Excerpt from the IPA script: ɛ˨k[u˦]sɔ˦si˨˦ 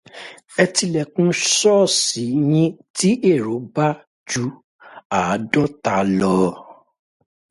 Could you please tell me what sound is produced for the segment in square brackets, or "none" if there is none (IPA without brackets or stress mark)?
ũ˦